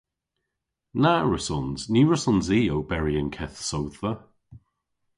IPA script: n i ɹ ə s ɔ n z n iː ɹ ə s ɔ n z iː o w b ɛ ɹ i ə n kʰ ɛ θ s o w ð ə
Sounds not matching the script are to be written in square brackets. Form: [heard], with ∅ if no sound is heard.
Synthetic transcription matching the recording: n [a] ɹ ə s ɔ n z n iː ɹ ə s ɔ n z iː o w b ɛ ɹ i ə n kʰ ɛ θ s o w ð ə